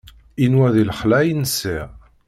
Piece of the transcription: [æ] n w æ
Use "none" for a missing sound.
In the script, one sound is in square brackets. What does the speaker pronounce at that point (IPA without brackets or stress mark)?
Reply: i